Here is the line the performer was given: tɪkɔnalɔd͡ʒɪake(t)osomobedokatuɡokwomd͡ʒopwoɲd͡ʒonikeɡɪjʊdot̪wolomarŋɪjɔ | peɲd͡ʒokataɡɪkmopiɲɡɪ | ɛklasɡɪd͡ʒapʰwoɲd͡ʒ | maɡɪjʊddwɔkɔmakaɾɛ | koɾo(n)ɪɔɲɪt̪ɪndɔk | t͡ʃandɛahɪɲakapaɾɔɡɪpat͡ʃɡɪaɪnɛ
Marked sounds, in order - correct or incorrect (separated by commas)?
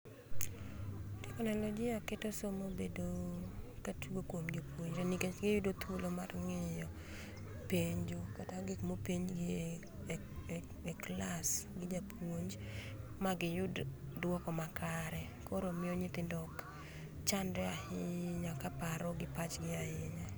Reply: correct, incorrect